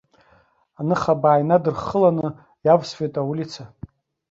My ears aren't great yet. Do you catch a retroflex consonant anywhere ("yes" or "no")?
no